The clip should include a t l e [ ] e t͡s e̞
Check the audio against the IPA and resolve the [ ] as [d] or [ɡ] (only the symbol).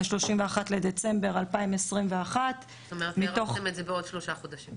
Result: d